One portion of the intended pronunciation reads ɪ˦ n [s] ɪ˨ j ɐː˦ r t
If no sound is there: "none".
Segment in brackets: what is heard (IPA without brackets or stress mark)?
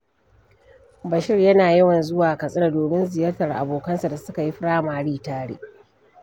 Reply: z